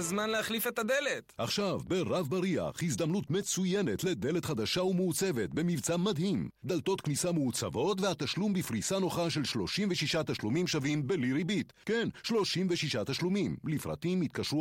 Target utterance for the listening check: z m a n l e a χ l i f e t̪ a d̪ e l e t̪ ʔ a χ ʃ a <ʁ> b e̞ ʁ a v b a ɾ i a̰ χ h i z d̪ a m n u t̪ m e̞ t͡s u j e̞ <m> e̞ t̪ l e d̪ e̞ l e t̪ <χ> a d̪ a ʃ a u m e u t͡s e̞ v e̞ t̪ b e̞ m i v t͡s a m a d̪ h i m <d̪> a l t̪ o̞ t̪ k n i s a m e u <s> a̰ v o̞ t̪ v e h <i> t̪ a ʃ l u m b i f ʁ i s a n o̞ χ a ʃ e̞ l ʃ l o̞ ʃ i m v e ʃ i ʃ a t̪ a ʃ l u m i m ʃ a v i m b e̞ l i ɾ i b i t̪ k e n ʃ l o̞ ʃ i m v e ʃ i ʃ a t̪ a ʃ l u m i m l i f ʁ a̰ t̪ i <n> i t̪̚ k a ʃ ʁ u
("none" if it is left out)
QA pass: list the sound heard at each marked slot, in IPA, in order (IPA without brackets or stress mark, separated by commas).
v, n, χ, d̪, t͡s, a, m